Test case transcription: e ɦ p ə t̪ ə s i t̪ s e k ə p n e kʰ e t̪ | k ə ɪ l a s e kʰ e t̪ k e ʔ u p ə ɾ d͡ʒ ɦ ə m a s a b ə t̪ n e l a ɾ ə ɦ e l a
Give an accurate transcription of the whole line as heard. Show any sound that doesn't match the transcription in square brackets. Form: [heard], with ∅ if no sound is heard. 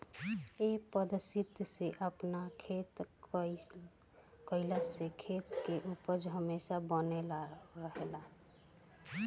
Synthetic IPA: e [∅] p ə [d̪] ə s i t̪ s e [ʔ] ə p n [a] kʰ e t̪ | k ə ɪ l a s e kʰ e t̪ k e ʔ u p ə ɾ d͡ʒ ɦ ə m [e] s a b ə [∅] n e l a ɾ ə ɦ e l a